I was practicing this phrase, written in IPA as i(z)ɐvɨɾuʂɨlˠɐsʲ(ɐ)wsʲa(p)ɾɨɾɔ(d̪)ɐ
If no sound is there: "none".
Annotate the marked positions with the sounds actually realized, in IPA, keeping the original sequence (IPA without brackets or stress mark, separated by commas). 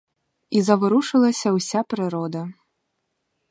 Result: z, ɐ, p, d̪